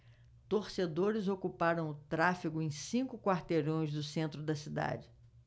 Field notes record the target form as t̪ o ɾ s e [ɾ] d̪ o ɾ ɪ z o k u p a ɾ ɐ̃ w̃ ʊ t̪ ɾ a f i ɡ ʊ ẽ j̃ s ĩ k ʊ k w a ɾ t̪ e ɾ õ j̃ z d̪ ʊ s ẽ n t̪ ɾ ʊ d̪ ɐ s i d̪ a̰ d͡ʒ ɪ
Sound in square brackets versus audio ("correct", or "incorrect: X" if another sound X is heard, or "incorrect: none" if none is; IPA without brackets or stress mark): incorrect: none